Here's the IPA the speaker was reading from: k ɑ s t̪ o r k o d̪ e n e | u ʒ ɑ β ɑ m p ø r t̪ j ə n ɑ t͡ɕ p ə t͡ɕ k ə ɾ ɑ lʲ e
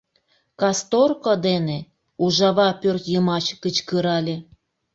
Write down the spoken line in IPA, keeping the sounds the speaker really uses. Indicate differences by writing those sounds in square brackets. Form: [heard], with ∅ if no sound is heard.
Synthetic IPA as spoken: k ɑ s t̪ o r k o d̪ e n e | u ʒ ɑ β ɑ [∅] p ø r t̪ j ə [m] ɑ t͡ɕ [k] ə t͡ɕ k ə ɾ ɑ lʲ e